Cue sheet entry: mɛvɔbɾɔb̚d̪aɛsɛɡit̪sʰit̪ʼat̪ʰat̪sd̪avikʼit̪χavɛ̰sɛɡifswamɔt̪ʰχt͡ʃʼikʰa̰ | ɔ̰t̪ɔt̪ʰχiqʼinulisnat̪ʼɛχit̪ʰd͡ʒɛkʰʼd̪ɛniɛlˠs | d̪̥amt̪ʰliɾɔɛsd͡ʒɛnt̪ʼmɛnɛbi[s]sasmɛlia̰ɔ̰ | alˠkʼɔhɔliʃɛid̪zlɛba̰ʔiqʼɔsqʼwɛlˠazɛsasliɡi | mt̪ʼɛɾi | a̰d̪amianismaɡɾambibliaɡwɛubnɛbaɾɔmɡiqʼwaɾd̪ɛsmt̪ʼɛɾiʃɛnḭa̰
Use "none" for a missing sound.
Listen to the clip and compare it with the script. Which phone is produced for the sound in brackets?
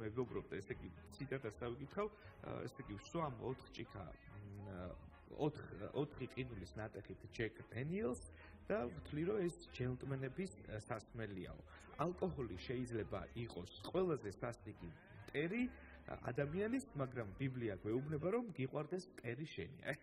s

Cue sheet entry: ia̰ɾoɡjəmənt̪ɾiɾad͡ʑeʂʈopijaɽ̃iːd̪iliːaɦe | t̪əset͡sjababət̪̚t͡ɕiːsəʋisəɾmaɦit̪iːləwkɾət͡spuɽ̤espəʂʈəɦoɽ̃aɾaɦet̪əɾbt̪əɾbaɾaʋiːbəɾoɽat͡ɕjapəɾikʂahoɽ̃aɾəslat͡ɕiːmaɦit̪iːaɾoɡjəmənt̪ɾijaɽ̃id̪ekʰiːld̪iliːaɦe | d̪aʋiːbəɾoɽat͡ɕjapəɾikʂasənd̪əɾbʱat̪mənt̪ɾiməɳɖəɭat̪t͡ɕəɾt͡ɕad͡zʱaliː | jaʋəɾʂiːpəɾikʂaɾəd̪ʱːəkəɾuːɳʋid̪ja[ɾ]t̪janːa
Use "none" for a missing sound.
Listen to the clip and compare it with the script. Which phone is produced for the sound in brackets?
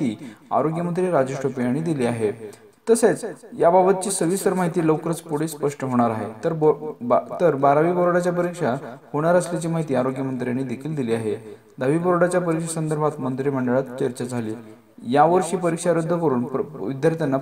ɾ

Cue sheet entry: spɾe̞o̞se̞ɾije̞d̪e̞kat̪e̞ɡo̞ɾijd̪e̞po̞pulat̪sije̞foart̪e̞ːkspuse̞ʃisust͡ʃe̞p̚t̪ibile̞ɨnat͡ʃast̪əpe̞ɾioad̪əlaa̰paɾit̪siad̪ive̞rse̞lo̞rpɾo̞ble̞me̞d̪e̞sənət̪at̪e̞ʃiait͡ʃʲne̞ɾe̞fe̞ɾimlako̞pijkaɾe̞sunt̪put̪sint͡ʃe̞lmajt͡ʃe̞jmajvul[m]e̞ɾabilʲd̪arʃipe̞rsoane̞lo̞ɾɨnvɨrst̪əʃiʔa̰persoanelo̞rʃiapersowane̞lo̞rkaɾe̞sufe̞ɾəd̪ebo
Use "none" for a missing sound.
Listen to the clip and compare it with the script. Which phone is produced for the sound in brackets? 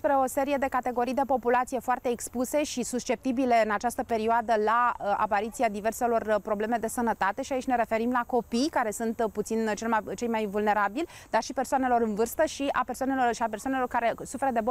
n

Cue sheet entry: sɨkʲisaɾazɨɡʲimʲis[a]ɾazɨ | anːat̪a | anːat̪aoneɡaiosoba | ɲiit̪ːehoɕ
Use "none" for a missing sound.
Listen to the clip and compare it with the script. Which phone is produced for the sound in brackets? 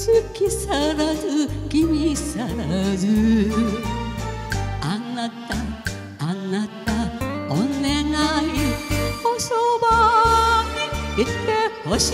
a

